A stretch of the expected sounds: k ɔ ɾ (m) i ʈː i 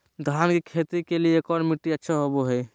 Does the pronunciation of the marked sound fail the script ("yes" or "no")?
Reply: no